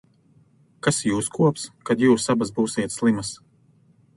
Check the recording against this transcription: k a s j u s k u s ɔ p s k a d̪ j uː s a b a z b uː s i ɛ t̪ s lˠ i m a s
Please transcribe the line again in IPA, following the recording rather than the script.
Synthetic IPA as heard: k a s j uː s k u ɔ p s k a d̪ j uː s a b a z b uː s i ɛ t̪ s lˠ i m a s

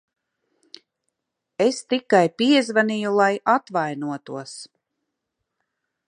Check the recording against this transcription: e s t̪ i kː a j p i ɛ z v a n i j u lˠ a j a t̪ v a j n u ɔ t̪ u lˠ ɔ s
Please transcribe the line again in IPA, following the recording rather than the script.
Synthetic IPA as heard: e s t̪ i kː a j p i ɛ z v a n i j u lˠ a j a t̪ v a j n u ɔ t̪ u ɔ s

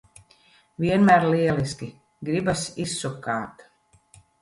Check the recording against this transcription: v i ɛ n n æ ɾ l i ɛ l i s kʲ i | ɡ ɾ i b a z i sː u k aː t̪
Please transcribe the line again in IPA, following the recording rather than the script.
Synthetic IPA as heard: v i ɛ n m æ ɾ l i ɛ l i s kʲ i | ɡ ɾ i b a s i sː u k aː t̪

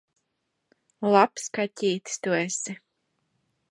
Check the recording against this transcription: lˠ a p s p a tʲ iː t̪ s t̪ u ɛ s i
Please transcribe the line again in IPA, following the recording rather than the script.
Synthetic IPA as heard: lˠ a p s k a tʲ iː t̪ s t̪ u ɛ s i

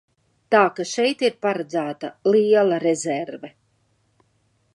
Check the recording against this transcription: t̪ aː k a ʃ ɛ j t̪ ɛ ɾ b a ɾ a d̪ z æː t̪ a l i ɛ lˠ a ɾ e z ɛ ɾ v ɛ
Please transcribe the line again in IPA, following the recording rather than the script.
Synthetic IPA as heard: t̪ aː k a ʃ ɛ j t̪ i ɾ p a ɾ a d̪ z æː t̪ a l i ɛ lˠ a ɾ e z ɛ ɾ v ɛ

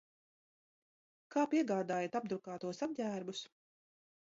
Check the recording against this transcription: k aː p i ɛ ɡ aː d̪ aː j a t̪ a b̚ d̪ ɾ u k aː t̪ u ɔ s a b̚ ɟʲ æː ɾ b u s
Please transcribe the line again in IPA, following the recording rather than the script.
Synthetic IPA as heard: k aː p i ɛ ɡ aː d̪ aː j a t̪ a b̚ d̪ ɾ u k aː t̪ u ɔ s a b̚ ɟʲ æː ɾ b u s

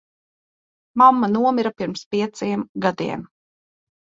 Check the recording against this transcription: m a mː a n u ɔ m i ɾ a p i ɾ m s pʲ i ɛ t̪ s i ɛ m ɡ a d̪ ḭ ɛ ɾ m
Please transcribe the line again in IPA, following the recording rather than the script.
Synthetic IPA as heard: m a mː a n u ɔ m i ɾ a p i ɾ m s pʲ i ɛ t̪ s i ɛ m ɡ a d̪ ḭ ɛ m

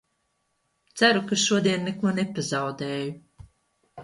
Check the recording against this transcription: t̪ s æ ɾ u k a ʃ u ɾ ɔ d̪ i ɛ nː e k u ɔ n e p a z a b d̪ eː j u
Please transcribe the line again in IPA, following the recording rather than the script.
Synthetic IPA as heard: t̪ s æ ɾ u k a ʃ u ɔ d̪ i ɛ nː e k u ɔ n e p a z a w d̪ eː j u

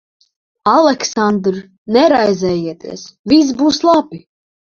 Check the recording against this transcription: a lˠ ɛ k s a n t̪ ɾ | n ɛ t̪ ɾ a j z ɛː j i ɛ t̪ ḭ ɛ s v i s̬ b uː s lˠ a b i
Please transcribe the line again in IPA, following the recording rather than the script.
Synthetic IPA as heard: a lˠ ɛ k s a n d̪ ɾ | n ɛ ɾ a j z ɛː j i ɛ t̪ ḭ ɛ s v i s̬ b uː s lˠ a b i

